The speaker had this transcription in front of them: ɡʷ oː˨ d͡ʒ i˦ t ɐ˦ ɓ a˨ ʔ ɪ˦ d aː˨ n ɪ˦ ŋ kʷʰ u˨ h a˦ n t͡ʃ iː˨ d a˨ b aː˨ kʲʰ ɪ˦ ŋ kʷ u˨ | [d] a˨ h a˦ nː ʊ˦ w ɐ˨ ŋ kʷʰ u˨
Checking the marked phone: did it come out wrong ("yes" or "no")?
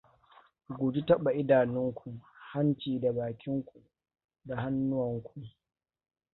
no